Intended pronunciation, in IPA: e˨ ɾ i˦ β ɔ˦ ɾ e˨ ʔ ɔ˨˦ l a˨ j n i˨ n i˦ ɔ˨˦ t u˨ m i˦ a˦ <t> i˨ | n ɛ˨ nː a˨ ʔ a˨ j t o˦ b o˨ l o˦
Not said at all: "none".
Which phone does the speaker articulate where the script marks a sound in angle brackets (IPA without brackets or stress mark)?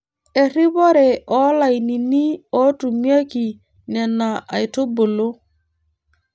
k